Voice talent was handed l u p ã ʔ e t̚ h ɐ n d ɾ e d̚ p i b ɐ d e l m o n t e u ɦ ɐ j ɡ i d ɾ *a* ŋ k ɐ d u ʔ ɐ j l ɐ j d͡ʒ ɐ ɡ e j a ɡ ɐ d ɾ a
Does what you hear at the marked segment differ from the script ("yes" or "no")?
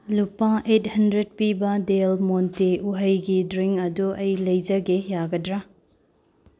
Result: yes